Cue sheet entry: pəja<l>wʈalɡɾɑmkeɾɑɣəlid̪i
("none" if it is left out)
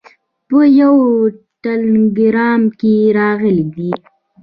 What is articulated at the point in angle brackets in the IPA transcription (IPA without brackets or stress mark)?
none